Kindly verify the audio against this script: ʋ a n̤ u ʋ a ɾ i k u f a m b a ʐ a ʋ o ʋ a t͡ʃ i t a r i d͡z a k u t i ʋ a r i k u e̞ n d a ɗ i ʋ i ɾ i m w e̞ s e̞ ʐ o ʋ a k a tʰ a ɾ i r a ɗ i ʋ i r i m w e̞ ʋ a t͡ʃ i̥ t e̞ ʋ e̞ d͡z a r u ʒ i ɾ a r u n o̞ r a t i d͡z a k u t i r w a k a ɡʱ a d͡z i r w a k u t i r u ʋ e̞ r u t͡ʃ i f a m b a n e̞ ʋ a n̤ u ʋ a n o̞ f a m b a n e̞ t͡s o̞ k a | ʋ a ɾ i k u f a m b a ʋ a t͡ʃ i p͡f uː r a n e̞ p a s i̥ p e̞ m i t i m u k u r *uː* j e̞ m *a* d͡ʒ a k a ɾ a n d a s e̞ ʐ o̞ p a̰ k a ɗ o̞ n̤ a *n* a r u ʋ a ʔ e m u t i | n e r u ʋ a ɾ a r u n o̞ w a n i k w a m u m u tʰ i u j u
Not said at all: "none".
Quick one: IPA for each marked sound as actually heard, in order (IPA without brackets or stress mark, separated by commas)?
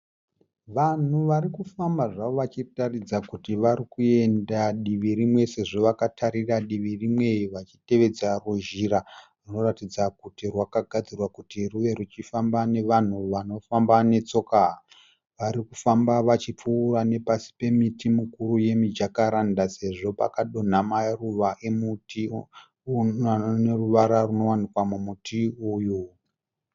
u, i, m